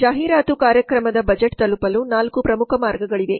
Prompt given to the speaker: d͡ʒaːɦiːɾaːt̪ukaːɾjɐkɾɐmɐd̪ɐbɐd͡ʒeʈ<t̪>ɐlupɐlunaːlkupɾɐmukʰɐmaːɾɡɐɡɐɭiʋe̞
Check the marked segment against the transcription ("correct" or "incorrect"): correct